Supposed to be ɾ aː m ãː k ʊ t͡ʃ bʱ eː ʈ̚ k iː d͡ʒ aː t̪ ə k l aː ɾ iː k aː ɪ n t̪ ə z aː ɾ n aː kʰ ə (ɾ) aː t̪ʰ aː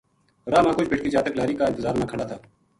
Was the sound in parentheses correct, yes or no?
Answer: no